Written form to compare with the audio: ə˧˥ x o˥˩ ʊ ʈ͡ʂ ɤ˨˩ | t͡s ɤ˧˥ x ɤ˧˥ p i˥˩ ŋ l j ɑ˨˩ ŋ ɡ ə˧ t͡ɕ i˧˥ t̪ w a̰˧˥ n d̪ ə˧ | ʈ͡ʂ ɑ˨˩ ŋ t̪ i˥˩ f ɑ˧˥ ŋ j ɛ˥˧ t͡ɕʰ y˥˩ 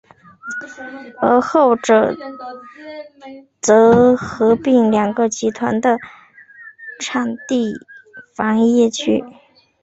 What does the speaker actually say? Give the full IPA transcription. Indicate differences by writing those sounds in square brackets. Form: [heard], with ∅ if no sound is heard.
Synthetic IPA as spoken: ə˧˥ x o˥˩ ʊ ʈ͡ʂ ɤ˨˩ | t͡s ɤ˧˥ x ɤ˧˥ p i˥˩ ŋ l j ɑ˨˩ ŋ ɡ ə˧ t͡ɕ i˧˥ [t̪ʰ] w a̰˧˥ n d̪ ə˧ | [ʈ͡ʂʰ] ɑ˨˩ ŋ t̪ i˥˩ f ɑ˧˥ ŋ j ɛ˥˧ t͡ɕʰ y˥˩